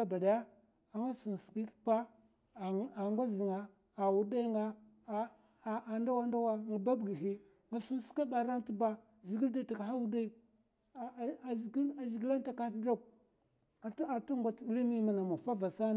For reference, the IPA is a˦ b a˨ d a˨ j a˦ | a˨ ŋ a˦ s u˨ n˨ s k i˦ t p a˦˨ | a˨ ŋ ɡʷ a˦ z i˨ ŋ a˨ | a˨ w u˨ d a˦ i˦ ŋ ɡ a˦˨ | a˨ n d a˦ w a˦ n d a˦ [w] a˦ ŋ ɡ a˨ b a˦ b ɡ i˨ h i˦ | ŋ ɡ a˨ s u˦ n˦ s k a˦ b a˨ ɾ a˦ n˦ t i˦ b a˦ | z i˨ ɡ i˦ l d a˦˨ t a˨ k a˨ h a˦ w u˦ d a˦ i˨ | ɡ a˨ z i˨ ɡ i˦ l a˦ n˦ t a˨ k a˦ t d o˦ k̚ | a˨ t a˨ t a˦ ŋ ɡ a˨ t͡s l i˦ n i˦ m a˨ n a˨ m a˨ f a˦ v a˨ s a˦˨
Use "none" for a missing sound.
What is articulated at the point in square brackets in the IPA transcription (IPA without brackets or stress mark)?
w